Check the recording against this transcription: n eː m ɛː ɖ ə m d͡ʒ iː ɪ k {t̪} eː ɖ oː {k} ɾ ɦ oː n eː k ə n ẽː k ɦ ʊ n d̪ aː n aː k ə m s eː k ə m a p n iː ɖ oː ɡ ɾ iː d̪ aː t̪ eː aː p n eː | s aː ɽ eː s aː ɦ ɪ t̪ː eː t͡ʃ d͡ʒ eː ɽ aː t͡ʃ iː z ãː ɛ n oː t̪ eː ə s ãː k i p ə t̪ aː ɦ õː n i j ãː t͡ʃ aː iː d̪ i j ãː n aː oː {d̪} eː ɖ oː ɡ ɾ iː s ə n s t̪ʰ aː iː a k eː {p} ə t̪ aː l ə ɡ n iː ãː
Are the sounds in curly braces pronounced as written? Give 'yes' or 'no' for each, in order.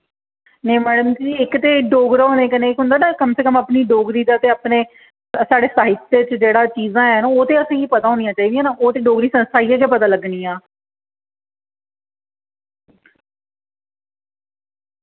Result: yes, no, no, yes

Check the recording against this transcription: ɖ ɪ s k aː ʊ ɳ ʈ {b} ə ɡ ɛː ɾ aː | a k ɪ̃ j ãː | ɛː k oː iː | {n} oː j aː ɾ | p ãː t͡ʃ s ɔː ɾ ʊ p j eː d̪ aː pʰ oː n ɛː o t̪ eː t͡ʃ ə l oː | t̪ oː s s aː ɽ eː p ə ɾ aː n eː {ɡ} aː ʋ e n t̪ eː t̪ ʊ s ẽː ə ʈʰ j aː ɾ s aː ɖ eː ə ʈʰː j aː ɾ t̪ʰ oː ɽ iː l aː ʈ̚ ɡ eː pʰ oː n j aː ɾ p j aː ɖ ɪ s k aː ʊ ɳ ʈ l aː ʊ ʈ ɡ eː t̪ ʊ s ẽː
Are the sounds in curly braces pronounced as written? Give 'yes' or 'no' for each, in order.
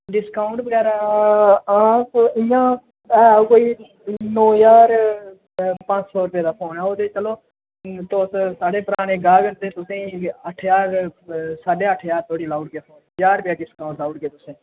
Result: yes, yes, yes

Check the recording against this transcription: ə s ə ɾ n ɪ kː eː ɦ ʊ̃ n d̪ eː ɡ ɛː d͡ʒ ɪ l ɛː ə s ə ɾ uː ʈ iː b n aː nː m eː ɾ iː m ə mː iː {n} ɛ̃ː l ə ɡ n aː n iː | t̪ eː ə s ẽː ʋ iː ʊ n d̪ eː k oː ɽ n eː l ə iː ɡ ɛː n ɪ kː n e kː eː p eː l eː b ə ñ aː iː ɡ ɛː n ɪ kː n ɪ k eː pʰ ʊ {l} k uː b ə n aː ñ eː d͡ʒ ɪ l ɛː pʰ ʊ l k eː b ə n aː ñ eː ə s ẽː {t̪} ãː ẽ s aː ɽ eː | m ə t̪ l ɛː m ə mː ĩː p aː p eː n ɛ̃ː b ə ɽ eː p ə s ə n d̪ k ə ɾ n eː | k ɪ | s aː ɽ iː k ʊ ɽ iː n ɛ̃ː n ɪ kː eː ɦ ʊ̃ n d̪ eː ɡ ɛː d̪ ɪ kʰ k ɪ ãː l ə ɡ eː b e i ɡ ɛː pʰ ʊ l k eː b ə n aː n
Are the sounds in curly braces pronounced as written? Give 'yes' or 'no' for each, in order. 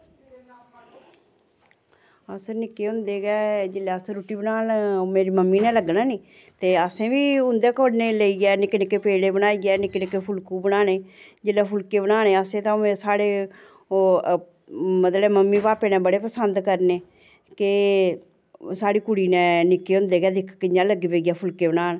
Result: yes, yes, yes

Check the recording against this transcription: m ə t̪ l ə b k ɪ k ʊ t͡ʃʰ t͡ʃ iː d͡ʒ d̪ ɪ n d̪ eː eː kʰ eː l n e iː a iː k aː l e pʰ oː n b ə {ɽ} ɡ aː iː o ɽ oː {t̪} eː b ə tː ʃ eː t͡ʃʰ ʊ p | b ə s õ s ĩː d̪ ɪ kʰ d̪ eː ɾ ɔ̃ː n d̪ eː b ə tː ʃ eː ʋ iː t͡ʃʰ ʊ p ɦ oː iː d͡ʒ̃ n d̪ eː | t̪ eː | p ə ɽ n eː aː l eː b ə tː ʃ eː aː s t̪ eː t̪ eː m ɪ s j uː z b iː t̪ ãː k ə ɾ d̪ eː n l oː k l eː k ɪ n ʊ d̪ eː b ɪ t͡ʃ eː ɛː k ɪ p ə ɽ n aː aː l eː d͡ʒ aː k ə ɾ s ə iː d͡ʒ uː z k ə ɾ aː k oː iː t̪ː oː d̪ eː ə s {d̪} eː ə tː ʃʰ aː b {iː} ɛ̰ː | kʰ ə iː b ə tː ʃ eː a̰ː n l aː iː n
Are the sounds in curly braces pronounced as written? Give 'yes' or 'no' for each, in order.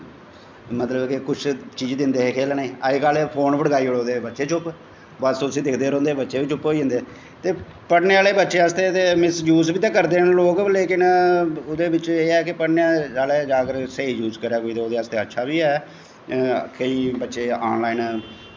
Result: yes, no, no, yes

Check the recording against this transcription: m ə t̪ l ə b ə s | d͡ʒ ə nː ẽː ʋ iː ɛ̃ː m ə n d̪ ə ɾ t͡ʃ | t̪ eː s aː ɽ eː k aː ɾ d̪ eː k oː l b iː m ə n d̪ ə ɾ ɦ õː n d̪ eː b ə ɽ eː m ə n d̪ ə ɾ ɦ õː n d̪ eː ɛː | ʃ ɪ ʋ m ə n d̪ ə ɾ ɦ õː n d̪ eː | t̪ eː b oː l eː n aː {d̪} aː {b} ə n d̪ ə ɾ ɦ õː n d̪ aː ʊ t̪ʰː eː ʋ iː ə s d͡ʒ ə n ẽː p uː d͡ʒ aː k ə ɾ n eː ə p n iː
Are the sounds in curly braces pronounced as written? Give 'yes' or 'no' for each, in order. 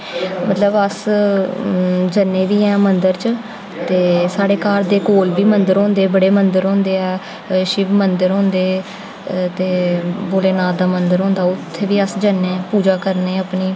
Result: yes, no

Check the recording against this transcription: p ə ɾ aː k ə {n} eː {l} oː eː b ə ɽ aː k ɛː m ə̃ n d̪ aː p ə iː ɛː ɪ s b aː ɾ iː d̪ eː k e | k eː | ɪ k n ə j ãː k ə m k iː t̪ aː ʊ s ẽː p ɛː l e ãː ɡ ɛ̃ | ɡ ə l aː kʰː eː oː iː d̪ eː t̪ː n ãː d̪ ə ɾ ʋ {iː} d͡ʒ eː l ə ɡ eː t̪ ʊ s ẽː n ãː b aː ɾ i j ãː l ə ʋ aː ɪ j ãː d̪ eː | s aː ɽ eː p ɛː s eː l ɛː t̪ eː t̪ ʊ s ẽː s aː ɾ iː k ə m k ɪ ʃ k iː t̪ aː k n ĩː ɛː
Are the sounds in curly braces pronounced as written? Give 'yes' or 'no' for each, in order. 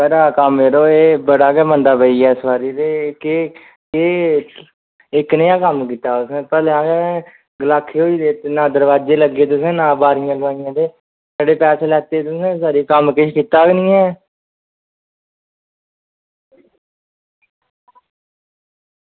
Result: no, no, no

